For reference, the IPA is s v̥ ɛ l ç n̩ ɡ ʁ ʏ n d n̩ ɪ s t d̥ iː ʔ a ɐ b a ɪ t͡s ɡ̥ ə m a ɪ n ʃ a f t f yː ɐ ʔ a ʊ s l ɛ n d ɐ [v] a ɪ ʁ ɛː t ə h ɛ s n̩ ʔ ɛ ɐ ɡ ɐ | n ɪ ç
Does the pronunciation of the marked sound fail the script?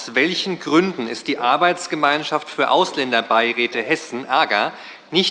yes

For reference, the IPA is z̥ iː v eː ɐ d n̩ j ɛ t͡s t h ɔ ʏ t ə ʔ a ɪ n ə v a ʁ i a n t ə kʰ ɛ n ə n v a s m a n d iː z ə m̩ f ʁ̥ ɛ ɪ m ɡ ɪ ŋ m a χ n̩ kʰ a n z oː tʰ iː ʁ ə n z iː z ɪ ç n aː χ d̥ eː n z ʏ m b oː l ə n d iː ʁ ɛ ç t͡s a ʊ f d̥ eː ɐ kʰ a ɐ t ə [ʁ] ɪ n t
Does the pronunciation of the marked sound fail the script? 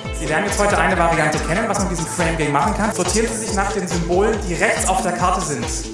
yes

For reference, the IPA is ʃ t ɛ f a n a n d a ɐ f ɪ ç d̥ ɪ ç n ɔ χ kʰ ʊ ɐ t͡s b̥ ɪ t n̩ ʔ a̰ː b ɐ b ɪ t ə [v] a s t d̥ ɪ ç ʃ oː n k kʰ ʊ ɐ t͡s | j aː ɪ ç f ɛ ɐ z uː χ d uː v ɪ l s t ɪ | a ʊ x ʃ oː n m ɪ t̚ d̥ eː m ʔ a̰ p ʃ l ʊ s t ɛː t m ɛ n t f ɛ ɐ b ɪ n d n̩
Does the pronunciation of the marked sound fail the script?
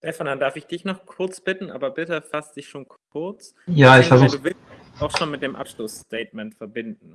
yes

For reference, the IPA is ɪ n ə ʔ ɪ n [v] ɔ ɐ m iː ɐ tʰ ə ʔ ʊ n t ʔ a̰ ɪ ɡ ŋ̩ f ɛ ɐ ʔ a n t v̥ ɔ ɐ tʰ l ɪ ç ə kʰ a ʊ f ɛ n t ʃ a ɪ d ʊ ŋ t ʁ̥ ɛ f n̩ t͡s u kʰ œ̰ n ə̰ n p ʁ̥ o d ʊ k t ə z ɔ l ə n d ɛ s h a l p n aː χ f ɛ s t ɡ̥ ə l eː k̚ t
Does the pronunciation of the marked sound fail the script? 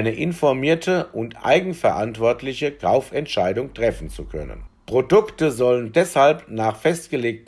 yes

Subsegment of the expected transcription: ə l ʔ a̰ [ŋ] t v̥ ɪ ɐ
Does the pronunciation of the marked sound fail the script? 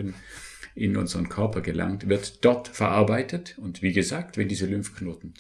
no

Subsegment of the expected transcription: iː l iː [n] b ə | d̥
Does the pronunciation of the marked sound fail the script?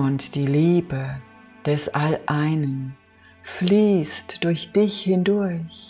yes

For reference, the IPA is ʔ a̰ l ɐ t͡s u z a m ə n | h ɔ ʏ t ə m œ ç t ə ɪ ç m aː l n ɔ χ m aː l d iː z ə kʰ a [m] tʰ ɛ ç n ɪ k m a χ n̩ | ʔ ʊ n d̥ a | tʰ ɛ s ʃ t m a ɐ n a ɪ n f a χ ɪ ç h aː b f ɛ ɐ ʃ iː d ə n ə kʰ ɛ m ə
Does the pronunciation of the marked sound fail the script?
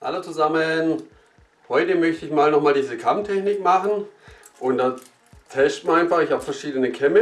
no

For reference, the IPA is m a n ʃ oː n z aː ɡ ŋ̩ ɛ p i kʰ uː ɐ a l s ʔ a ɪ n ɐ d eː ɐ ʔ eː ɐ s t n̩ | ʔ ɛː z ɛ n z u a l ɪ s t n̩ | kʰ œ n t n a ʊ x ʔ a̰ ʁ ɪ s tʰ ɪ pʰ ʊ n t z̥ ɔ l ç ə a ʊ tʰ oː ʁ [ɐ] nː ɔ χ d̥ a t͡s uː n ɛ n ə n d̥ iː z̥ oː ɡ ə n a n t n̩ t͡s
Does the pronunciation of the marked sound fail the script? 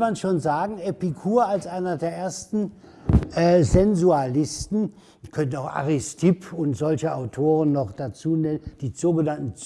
yes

